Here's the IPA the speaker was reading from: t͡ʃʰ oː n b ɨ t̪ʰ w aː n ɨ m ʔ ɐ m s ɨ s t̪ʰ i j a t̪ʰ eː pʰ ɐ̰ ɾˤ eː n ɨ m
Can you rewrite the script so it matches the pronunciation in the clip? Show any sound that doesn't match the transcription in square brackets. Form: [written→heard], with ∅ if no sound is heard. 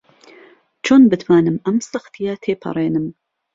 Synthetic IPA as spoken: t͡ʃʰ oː n b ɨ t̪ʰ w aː n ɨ m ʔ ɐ m s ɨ [s→x] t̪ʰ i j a t̪ʰ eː pʰ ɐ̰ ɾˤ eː n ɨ m